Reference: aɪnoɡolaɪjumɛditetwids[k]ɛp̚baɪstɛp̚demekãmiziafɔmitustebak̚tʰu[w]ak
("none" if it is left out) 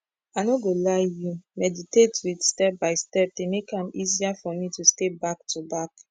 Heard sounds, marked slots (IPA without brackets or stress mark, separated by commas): t, b